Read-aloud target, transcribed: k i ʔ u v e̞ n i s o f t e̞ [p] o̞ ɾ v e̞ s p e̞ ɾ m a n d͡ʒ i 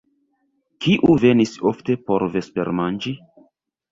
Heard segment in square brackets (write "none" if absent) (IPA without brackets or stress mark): p